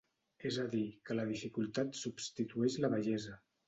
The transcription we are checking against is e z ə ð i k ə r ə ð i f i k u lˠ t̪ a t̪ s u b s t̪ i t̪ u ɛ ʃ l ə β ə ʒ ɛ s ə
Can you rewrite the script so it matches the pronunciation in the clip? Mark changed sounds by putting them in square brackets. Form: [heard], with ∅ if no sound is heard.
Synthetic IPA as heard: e z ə ð i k ə [l] ə ð i f i k u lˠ t̪ a t̪ s u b s t̪ i t̪ u ɛ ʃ l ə β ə ʒ ɛ [z] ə